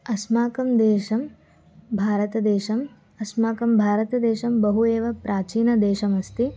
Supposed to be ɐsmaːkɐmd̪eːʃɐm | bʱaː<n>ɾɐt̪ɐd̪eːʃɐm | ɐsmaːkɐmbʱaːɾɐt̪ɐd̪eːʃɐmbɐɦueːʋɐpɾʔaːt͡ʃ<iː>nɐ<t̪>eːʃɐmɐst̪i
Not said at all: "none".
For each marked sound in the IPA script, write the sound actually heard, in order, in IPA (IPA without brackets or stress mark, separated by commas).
none, iː, d̪